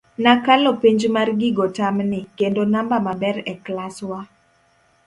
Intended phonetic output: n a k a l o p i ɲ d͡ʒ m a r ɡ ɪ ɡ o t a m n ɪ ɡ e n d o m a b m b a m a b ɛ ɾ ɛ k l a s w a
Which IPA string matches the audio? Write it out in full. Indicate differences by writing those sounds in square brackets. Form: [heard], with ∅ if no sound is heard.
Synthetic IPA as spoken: n a k a l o p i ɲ d͡ʒ m a r ɡ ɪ ɡ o t a m n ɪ [k] e n d o [n] a [∅] m b a m a b ɛ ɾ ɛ k l a s w a